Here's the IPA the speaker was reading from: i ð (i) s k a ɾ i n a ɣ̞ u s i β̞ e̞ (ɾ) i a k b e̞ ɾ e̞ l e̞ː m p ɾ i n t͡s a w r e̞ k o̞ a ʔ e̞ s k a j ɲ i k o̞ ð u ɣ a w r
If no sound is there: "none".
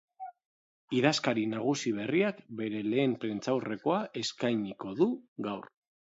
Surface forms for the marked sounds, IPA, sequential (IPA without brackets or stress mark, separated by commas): a, r